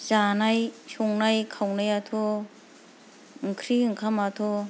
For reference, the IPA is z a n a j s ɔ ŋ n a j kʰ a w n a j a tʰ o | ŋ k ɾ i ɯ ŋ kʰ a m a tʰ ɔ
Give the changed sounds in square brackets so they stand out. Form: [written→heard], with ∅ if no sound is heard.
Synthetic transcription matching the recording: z a n a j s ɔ ŋ n a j kʰ a w n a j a tʰ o | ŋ [k→kʰ] ɾ i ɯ ŋ kʰ a m a tʰ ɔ